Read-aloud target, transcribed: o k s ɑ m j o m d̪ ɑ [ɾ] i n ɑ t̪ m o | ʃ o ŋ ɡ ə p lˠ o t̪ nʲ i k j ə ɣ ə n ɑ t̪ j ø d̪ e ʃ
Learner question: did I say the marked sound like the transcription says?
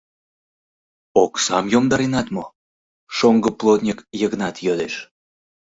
yes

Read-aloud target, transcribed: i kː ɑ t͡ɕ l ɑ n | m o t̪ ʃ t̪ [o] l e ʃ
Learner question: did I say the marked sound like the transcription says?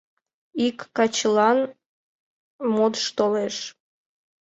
yes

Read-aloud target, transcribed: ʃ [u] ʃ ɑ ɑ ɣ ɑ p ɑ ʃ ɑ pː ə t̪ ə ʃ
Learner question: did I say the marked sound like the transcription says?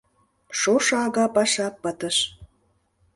no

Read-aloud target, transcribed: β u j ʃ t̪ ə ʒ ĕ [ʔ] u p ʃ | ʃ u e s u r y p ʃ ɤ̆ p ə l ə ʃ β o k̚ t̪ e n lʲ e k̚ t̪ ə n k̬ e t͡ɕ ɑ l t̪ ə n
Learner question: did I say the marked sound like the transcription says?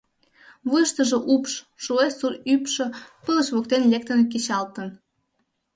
yes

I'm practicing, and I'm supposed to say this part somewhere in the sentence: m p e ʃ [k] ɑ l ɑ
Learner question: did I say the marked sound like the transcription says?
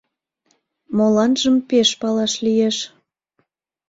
no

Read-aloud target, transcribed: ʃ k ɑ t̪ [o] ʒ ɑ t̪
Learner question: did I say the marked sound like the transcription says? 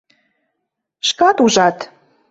no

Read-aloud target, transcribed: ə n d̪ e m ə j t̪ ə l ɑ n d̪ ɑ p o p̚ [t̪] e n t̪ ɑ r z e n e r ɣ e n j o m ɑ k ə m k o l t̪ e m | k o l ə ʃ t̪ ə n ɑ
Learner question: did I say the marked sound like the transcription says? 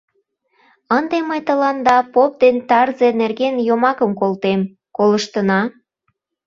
no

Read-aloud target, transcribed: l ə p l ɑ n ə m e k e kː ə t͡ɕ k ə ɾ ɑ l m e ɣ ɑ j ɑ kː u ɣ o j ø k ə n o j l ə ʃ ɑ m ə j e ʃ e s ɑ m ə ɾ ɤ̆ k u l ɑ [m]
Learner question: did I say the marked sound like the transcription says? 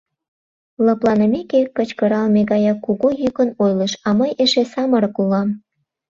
yes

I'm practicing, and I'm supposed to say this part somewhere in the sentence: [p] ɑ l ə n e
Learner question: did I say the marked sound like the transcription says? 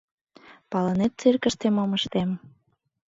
yes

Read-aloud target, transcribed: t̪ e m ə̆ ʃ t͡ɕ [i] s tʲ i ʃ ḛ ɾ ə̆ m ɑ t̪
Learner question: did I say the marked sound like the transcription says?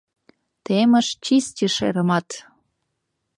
yes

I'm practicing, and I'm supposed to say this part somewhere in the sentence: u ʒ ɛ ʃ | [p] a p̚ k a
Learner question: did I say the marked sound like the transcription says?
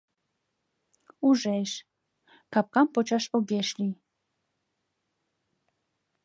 no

